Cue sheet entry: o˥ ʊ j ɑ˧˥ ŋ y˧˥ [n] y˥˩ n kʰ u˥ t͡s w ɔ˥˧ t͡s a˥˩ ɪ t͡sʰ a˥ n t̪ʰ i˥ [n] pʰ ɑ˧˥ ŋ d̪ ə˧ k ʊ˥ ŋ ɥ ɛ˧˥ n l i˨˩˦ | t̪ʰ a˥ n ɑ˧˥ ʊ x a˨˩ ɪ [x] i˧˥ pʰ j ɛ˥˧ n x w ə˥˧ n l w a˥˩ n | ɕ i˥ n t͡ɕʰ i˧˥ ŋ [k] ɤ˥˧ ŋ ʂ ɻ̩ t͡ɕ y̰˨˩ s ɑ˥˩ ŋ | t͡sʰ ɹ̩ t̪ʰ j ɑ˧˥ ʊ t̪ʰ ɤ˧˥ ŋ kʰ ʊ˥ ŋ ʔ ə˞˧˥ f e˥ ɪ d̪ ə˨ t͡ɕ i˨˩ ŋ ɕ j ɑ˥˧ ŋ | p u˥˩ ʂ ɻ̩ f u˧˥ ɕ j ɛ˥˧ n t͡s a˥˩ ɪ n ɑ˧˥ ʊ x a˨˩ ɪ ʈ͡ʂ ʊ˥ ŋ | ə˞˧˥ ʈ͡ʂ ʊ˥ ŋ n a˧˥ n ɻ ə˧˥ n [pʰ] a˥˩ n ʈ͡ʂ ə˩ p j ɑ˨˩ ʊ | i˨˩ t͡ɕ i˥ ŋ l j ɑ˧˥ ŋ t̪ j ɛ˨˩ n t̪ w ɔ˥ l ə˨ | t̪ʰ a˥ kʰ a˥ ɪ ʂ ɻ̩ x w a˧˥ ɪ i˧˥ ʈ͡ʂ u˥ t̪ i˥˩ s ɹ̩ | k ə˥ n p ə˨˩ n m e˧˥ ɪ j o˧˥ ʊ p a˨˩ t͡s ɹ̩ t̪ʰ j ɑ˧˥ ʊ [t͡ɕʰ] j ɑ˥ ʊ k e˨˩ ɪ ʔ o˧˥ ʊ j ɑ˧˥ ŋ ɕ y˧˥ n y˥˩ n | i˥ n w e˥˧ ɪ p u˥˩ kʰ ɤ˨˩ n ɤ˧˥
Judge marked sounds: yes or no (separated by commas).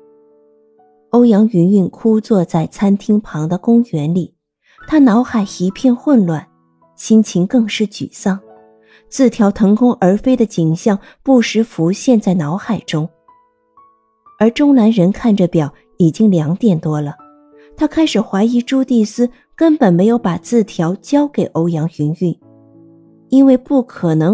yes, no, yes, yes, no, no